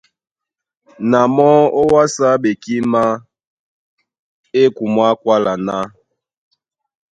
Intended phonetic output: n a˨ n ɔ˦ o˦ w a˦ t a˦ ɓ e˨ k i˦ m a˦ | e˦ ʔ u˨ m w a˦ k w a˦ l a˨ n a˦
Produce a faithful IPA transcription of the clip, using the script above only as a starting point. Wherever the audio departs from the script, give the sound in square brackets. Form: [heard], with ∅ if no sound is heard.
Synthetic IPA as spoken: n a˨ [m] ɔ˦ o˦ w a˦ [s] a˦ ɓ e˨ k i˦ m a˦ | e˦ [k] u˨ m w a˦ k w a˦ l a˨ n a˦